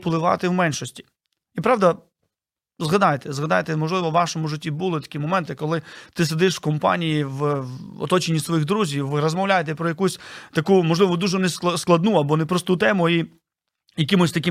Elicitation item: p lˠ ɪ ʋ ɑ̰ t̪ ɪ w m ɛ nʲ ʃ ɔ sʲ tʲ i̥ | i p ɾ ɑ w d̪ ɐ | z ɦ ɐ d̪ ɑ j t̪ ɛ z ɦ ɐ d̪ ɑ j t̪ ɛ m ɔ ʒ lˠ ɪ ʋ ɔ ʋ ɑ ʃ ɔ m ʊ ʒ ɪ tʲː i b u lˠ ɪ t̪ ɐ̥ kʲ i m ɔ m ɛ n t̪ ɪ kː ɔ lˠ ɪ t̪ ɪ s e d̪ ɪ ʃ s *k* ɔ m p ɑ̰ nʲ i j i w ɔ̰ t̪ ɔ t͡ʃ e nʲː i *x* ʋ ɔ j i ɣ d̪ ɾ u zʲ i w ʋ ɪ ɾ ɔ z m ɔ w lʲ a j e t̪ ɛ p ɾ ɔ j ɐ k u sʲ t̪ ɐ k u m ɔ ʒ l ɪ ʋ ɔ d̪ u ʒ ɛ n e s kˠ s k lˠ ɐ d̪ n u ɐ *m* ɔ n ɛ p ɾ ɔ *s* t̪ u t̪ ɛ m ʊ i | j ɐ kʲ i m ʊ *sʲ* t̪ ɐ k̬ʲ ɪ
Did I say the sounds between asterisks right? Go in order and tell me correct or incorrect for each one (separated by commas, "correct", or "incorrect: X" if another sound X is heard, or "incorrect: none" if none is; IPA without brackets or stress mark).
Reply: correct, incorrect: s, incorrect: b, correct, correct